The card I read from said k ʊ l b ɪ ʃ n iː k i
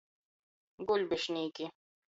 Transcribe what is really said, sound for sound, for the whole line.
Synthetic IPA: ɡ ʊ l b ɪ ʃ n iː k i

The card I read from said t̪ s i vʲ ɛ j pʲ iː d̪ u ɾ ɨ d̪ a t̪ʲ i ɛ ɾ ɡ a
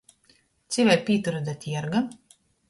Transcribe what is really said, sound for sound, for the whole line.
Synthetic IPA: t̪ s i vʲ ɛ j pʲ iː t̪ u ɾ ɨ d̪ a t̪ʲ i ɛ ɾ ɡ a

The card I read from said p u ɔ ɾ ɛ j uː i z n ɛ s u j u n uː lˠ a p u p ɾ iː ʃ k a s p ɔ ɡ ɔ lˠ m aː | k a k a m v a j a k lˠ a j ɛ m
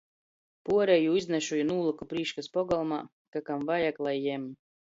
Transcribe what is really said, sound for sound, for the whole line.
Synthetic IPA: p u ɔ ɾ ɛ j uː i z n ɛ ʃ u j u n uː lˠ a k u p ɾ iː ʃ k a s p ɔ ɡ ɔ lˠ m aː | k a k a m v a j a k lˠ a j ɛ m

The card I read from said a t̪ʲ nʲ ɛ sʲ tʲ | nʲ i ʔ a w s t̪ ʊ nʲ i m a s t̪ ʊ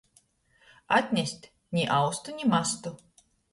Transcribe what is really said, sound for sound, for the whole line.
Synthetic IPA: a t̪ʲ nʲ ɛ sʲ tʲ | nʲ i ʔ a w s t̪ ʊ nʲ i m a s t̪ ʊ

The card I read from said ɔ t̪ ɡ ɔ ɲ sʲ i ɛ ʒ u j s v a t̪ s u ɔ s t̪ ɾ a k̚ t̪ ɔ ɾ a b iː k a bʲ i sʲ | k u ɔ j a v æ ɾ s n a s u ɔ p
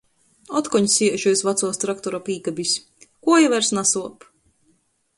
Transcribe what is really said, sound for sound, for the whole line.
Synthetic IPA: ɔ t̪ k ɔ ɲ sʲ i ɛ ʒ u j s v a t̪ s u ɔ s t̪ ɾ a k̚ t̪ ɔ ɾ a p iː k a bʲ i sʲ | k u ɔ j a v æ ɾ s n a s u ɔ p

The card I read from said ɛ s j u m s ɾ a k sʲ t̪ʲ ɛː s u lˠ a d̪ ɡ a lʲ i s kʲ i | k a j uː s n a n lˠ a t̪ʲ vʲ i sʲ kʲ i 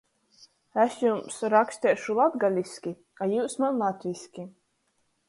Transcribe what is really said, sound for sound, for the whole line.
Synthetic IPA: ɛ s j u m s ɾ a k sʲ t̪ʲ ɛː ʃ u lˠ a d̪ ɡ a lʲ i s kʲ i | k a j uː s m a n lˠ a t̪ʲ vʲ i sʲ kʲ i

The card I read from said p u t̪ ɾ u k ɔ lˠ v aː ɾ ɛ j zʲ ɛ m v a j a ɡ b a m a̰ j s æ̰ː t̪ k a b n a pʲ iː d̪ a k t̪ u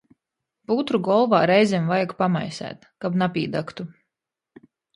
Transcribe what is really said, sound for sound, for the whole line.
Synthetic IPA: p u t̪ ɾ u ɡ ɔ lˠ v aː ɾ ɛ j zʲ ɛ m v a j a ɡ p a m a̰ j s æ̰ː t̪ k a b n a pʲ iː d̪ a k t̪ u

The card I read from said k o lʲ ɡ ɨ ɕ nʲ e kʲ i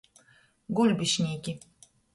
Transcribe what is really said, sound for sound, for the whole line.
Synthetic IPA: ɡ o lʲ b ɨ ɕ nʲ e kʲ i

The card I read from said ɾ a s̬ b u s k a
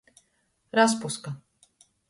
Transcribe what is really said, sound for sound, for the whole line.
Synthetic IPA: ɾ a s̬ p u s k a

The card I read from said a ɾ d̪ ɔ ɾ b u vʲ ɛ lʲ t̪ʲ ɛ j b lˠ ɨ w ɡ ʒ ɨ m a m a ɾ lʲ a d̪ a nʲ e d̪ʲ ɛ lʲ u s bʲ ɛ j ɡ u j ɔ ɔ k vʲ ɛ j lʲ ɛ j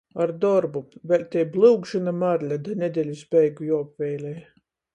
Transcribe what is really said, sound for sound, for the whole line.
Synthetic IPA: a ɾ d̪ ɔ ɾ b u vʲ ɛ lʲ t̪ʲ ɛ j b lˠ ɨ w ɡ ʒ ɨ n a m a ɾ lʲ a d̪ a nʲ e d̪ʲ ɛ lʲ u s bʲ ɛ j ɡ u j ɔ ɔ p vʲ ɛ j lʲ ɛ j

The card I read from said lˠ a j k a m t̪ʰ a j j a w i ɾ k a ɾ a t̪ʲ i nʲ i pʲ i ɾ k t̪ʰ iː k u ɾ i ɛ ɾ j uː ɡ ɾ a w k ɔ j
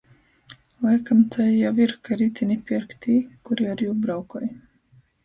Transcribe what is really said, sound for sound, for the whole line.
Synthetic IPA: lˠ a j k a m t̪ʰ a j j a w i ɾ k a ɾ i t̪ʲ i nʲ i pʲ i ɾ k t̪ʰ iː k u ɾ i a ɾ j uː b ɾ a w k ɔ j

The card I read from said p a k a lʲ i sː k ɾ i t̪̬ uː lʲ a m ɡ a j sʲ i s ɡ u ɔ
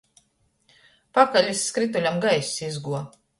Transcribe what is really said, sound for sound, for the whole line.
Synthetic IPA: p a k a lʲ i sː k ɾ i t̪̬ u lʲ a m ɡ a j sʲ i z ɡ u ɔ

